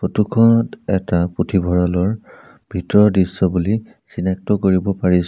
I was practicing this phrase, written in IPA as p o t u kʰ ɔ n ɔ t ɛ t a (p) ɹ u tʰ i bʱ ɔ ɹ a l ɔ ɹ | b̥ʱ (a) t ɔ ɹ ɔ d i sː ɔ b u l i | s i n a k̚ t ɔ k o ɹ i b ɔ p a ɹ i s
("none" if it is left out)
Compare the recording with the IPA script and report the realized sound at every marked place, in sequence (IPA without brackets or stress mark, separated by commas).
p, i